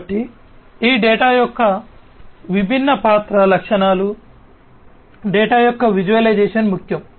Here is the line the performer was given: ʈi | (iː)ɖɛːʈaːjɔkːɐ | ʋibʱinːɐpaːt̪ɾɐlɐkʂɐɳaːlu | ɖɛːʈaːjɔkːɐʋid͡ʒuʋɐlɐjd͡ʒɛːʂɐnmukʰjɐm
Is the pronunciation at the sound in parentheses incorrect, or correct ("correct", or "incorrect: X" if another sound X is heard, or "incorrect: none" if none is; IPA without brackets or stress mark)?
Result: correct